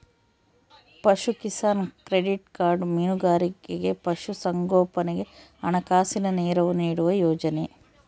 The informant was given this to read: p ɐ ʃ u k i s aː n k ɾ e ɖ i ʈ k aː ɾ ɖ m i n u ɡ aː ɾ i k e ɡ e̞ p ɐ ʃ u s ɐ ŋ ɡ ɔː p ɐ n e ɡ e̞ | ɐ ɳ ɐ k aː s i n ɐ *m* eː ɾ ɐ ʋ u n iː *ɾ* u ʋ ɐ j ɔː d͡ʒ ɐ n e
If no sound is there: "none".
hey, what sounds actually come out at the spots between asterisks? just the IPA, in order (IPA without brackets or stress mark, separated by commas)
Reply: n, ɽ